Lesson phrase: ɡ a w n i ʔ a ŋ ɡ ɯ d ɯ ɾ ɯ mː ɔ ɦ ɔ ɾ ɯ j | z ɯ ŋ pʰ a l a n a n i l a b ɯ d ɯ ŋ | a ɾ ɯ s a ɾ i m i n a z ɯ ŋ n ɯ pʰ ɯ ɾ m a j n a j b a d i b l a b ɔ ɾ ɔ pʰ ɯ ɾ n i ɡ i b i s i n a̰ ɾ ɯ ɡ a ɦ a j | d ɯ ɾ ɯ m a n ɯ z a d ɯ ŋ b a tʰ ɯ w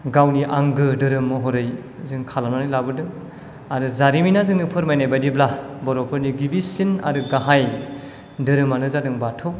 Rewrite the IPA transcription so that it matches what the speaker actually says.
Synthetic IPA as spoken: ɡ a w n i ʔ a ŋ ɡ ɯ d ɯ ɾ ɯ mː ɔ ɦ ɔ ɾ ɯ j | z ɯ ŋ kʰ a l a n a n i l a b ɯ d ɯ ŋ | a ɾ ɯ z a ɾ i m i n a z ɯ ŋ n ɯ pʰ ɯ ɾ m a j n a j b a d i b l a b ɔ ɾ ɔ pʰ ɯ ɾ n i ɡ i b i s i n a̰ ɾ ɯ ɡ a ɦ a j | d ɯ ɾ ɯ m a n ɯ z a d ɯ ŋ b a tʰ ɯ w